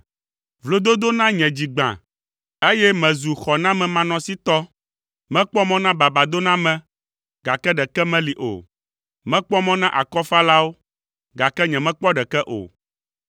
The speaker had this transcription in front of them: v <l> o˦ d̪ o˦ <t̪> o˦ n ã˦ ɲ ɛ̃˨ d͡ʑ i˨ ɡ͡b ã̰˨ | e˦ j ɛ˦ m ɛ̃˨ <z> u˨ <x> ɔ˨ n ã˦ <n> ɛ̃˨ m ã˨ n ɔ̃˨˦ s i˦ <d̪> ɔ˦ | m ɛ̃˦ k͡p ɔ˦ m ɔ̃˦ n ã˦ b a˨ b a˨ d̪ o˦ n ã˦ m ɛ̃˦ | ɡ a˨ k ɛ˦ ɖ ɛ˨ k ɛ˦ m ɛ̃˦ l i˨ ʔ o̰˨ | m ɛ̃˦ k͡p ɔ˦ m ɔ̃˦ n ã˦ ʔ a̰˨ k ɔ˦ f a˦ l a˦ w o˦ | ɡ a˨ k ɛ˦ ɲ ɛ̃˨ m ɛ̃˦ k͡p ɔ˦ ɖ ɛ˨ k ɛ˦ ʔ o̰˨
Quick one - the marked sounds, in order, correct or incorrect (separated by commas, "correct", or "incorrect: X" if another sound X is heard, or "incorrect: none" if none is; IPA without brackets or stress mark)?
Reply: correct, incorrect: d̪, correct, correct, incorrect: m, incorrect: t̪